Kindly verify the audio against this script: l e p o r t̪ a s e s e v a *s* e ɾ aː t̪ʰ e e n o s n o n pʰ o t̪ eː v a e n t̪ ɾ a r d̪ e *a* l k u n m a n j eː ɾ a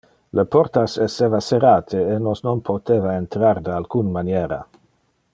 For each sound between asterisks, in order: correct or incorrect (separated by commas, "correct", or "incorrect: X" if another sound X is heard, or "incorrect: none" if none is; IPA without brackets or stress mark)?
correct, correct